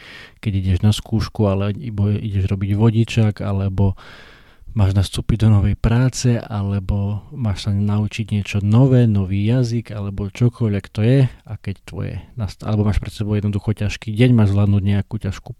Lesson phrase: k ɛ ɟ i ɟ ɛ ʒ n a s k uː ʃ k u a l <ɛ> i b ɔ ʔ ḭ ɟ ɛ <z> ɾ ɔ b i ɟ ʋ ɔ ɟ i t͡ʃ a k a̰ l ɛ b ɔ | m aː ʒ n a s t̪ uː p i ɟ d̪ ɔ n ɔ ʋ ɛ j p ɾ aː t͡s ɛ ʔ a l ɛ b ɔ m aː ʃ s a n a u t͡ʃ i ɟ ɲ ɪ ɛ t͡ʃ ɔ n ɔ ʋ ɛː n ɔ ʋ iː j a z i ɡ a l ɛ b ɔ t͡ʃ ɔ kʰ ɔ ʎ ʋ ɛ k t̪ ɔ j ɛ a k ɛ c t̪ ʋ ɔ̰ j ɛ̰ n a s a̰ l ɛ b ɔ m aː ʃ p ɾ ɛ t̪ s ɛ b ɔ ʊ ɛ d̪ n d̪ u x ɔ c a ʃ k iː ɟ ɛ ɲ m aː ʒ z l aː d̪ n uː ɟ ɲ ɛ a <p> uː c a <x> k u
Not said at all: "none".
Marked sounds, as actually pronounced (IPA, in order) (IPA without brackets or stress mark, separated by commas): ɛ, ʒ, k, ʃ